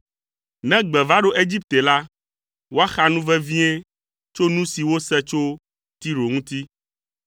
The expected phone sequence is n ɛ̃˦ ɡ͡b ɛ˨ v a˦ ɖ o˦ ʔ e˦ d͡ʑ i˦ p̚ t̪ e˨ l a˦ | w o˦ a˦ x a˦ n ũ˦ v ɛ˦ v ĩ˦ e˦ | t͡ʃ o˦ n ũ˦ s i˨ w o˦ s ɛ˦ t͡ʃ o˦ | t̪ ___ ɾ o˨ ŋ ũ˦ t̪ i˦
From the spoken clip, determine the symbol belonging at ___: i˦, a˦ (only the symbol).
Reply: i˦